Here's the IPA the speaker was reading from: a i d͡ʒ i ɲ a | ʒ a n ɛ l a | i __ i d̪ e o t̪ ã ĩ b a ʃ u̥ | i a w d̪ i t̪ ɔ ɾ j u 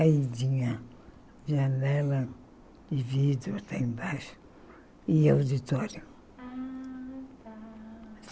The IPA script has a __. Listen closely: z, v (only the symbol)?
v